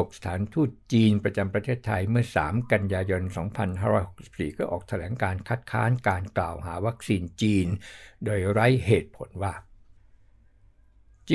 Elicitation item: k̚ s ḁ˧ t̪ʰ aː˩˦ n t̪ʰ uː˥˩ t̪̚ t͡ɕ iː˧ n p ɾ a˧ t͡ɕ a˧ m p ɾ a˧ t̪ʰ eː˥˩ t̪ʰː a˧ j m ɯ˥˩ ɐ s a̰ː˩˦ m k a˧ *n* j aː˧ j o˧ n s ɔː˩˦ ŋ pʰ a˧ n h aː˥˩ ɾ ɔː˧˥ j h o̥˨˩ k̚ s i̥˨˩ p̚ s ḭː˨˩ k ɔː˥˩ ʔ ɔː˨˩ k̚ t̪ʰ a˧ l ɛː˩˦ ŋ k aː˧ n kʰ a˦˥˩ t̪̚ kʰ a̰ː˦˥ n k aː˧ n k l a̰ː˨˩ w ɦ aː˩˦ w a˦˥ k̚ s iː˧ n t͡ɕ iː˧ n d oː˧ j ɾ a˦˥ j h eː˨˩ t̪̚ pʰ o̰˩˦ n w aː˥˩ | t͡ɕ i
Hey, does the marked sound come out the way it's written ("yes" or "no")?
yes